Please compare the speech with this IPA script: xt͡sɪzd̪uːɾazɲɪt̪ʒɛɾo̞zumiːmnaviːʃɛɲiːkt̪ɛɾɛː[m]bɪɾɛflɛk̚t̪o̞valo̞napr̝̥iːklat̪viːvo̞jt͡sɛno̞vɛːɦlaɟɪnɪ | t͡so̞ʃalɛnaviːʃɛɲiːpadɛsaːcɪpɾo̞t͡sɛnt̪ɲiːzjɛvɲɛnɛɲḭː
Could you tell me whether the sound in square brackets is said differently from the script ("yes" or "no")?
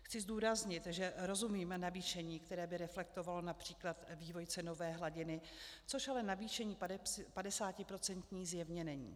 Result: yes